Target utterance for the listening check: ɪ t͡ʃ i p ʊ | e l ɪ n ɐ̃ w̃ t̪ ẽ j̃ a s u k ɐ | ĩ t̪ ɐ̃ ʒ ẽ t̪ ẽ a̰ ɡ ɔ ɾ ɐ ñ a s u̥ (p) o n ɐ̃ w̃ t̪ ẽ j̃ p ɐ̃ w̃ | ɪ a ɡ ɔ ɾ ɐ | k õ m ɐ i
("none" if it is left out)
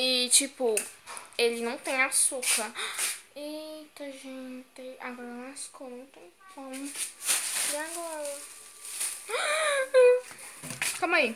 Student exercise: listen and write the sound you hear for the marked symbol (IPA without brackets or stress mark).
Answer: k